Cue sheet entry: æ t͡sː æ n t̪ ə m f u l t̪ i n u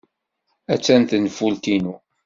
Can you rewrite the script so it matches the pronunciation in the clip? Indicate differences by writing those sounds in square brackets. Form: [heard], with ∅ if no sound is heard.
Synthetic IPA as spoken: æ t͡sː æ n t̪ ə [n] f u l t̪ i n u